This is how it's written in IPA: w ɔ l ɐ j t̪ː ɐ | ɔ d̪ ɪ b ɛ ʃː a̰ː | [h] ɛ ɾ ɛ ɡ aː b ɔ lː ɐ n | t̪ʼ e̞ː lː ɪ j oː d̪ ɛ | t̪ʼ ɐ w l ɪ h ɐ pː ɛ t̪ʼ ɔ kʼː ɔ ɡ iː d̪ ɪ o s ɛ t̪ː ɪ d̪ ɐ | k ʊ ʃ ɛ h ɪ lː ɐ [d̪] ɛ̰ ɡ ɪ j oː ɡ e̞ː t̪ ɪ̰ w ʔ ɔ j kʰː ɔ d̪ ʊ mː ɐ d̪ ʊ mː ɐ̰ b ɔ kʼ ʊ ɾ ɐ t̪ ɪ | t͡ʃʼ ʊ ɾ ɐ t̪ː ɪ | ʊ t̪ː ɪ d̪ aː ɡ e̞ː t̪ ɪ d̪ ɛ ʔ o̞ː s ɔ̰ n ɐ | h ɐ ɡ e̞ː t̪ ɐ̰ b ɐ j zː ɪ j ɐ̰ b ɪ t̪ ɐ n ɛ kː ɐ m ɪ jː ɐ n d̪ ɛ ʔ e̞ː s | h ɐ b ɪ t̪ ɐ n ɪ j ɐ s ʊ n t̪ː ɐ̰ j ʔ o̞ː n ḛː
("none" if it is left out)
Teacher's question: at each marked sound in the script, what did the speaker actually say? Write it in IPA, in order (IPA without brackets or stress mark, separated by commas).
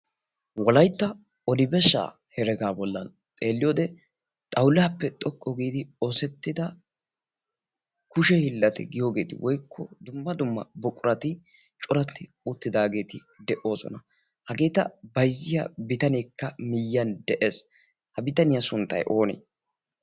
h, t̪